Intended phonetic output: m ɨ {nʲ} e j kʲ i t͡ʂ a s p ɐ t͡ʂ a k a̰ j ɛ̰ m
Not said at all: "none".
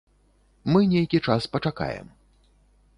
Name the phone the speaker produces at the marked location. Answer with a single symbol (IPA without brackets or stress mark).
nʲ